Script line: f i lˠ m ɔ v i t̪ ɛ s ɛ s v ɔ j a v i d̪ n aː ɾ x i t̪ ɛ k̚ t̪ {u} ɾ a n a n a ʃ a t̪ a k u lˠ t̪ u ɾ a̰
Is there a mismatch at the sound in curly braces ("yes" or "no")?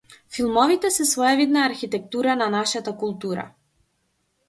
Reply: no